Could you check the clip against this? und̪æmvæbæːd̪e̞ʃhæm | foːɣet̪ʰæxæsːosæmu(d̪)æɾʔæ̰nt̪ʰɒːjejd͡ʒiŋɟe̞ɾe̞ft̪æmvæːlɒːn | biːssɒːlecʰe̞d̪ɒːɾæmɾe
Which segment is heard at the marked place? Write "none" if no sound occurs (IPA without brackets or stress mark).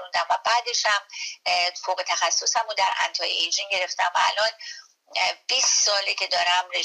d̪